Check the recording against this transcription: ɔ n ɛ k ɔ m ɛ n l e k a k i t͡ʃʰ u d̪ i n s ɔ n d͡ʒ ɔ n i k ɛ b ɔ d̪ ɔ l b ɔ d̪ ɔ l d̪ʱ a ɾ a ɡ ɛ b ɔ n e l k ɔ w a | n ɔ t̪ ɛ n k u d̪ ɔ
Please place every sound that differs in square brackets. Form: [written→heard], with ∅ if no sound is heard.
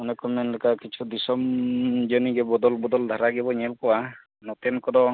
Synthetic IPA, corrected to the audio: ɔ n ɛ k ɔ m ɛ n l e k a k i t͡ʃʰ u d̪ i [n→∅] s ɔ [n→m] d͡ʒ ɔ n i [k→ɡ] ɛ b ɔ d̪ ɔ l b ɔ d̪ ɔ l d̪ʱ a ɾ a ɡ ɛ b ɔ [n→ɲ] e l k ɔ w a | n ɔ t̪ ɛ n k [u→ɔ] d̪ ɔ